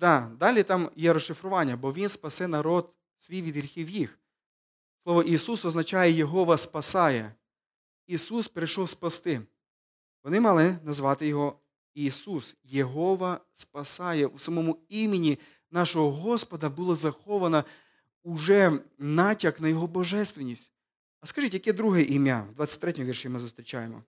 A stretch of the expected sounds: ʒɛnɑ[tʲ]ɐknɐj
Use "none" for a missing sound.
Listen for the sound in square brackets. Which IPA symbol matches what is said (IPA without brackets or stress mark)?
tʲ